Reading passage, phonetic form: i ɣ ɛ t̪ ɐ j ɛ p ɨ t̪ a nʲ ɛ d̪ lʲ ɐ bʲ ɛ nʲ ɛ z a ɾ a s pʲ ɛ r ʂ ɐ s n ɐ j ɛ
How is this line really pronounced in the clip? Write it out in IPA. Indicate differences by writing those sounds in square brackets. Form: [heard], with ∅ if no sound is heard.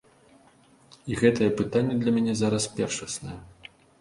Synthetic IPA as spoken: i ɣ ɛ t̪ ɐ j ɛ p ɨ t̪ a [nʲː] ɛ d̪ lʲ ɐ [mʲ] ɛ nʲ ɛ z a ɾ [ɐ] s pʲ ɛ r ʂ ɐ s n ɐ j ɛ